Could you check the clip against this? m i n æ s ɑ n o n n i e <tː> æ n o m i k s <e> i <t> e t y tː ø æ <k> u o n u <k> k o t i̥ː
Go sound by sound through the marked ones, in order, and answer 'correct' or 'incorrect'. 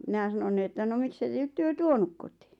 correct, correct, correct, incorrect: t, correct

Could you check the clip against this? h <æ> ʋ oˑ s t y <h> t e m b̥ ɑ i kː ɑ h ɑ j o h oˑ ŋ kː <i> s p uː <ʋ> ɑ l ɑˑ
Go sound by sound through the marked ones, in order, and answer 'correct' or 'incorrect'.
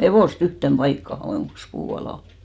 incorrect: e, correct, correct, incorrect: none

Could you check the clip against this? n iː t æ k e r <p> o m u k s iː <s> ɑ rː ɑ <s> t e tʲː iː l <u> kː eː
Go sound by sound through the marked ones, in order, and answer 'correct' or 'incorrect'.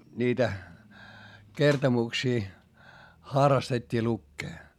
incorrect: t, incorrect: x, correct, correct

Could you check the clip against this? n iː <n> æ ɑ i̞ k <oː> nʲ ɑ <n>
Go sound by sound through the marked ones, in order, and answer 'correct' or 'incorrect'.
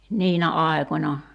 correct, incorrect: o, incorrect: none

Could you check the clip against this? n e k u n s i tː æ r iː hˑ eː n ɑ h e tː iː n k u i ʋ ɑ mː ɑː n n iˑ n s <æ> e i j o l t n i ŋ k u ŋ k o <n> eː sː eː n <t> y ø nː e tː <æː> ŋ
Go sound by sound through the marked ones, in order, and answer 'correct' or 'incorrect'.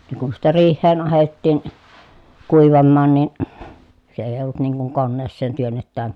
incorrect: e, incorrect: nː, correct, correct

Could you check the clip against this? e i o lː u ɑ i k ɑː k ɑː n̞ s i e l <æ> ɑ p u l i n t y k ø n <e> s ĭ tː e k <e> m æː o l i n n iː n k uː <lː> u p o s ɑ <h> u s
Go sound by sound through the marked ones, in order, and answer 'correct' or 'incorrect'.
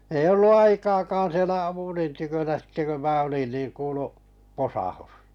correct, incorrect: æ, incorrect: ø, incorrect: l, correct

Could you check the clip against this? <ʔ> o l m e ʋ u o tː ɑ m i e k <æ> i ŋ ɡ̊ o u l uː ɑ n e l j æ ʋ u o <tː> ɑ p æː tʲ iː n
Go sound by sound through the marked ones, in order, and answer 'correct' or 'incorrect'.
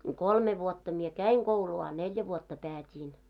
incorrect: k, correct, correct

